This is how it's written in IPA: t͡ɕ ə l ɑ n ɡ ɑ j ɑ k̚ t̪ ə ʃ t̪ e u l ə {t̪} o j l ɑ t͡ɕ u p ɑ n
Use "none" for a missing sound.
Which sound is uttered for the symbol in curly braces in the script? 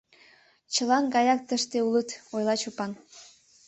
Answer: t̪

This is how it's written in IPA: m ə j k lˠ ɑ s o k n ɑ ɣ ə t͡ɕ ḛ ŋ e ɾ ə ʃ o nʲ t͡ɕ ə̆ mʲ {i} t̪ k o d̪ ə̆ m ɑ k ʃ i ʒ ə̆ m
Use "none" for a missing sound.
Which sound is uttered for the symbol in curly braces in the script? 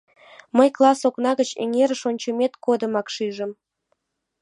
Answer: e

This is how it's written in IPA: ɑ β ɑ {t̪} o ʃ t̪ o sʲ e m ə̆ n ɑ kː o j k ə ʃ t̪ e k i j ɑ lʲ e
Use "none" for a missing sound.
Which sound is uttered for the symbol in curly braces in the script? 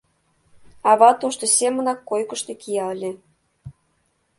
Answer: t̪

